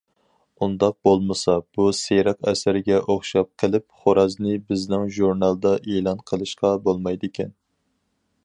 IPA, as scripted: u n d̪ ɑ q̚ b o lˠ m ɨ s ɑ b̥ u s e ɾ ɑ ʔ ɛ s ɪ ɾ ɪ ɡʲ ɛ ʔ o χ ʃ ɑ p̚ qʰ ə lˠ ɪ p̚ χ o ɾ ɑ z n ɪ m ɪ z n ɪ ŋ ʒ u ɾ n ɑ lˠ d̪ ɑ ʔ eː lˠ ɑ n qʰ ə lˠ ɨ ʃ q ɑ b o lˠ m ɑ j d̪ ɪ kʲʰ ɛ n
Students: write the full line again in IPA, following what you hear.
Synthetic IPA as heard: u n d̪ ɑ q̚ b o lˠ m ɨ s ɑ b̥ u s e ɾ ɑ q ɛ s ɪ ɾ ɪ ɡʲ ɛ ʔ o χ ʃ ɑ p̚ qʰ ə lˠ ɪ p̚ χ o ɾ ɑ z n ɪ b ɪ z n ɪ ŋ ʒ u ɾ n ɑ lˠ d̪ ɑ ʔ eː lˠ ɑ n qʰ ə lˠ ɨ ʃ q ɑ b o lˠ m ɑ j d̪ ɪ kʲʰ ɛ n